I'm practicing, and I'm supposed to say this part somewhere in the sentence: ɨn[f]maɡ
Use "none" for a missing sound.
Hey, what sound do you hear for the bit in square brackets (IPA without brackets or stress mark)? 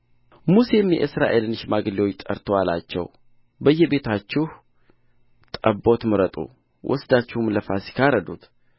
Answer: ʃ